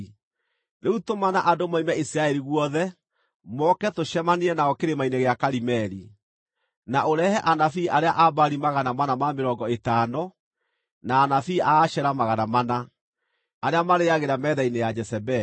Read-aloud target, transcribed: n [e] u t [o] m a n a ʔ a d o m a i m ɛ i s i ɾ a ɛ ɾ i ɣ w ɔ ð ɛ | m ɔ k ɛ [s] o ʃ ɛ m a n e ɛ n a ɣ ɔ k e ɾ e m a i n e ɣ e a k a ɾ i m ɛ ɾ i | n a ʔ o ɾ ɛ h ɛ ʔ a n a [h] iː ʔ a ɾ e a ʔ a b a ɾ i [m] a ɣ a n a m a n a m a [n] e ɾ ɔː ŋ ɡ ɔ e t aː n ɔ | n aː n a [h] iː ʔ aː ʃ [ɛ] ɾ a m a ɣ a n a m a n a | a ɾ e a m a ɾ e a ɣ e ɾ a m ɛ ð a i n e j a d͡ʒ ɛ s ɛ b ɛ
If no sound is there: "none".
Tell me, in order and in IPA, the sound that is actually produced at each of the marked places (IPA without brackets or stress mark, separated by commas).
e, o, t, f, m, m, f, ɛ